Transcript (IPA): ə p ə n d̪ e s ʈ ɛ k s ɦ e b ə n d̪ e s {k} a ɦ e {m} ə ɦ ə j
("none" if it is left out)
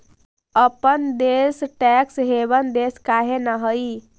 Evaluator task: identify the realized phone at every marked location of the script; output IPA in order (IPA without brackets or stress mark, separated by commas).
k, n